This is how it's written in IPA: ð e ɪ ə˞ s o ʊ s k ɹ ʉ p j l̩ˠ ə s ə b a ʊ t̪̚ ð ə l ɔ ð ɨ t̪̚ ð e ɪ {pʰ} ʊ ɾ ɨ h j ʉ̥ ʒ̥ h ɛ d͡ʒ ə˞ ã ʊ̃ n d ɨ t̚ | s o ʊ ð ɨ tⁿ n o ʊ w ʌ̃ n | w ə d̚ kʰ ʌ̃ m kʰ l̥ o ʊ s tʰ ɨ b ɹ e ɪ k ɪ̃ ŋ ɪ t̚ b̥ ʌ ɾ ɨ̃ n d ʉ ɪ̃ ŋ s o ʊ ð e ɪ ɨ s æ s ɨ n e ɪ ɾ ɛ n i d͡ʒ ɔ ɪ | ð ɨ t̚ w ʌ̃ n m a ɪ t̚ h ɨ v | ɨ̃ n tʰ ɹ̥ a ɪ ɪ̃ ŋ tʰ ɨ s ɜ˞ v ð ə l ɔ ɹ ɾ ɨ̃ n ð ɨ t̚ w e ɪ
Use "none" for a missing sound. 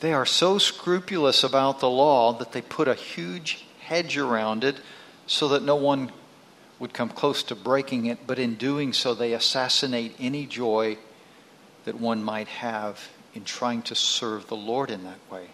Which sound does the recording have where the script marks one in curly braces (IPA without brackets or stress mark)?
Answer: pʰ